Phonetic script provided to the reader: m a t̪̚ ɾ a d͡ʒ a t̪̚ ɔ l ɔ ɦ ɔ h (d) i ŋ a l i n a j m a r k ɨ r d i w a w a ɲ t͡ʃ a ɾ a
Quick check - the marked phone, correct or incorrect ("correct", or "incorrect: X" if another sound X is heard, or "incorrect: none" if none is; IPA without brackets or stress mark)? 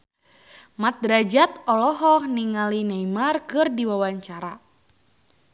incorrect: n